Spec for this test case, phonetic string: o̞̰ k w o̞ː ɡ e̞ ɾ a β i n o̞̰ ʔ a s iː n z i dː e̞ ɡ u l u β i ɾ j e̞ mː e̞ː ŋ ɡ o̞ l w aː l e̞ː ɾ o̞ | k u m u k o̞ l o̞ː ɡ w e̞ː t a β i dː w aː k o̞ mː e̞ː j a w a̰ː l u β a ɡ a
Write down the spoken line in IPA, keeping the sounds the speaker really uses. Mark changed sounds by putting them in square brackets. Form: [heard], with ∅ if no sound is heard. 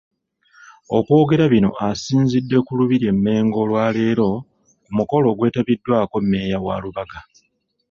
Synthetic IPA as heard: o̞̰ k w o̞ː ɡ e̞ ɾ a β i n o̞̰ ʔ a s iː n z i dː e̞ [k] u l u β i ɾ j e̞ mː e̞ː ŋ ɡ o̞ l w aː l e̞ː ɾ o̞ | k u m u k o̞ l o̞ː ɡ w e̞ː t a β i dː w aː k o̞ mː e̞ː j a w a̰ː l u β a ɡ a